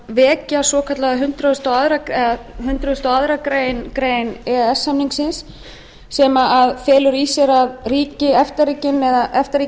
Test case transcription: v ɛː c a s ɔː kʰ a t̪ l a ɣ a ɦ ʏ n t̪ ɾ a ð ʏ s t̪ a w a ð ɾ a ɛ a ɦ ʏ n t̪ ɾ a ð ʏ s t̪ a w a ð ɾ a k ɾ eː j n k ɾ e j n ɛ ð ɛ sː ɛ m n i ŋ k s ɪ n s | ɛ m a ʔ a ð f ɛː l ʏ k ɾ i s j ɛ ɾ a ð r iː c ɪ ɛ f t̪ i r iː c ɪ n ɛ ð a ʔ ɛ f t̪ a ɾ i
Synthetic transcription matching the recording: v ɛː c a s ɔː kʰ a t̪ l a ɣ a ɦ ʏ n t̪ ɾ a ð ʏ s t̪ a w a ð ɾ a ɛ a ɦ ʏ n t̪ ɾ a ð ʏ s t̪ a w a ð ɾ a k ɾ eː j n k ɾ e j n ɛ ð ɛ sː a m n i ŋ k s ɪ n sː | ɛ m a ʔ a ð f ɛː l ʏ ɾ i s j ɛ ɾ a ð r iː c ɪ ɛ f t̪ a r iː c ɪ n ɛ ð a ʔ ɛ f t̪ a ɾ i